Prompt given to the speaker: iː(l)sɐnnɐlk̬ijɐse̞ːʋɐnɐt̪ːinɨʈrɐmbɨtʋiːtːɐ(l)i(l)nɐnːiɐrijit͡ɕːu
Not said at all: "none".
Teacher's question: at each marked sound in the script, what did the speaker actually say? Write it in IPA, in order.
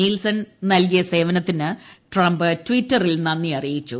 l, r, l

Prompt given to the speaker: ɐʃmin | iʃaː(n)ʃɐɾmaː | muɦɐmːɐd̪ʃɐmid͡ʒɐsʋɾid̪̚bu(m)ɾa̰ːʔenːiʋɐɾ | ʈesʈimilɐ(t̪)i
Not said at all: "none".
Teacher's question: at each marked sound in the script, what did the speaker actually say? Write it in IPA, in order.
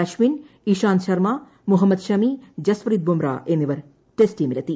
n, m, t̪

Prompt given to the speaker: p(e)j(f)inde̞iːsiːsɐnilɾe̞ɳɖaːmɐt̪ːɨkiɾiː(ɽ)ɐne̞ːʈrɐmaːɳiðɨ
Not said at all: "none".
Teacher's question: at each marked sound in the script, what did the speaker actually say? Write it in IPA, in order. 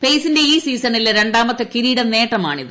e, s, ɽ

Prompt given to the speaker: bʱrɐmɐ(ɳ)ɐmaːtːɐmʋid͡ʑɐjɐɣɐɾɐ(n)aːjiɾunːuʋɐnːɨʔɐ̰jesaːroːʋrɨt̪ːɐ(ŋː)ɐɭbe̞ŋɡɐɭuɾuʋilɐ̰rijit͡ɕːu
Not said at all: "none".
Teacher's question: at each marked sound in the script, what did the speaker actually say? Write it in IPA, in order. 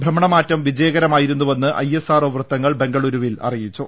ɳ, m, ŋː

